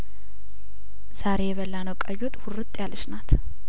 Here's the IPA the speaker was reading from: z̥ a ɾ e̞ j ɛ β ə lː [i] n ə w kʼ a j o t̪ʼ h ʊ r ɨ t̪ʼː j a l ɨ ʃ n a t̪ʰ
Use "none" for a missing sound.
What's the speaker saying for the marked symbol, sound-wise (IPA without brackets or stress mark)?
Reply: a